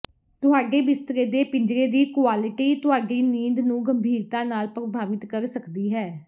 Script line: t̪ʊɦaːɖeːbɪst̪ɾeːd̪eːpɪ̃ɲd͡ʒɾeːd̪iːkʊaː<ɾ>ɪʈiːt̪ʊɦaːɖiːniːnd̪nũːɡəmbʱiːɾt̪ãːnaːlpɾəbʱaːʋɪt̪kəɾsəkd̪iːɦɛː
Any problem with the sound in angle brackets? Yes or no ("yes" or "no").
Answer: yes